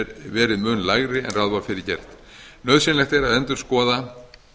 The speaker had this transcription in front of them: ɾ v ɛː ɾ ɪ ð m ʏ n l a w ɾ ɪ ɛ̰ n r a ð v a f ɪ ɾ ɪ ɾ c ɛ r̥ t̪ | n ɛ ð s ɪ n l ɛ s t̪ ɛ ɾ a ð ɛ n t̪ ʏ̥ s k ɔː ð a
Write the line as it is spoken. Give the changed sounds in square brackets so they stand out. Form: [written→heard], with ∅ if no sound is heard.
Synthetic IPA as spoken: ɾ v ɛː ɾ ɪ ð m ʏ n l a [w→ɣ] ɾ ɪ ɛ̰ n r a ð v a f ɪ ɾ ɪ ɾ c ɛ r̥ t̪ | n [ɛ→œ] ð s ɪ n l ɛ [s→x] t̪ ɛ ɾ a ð ɛ n t̪ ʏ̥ s k ɔː ð a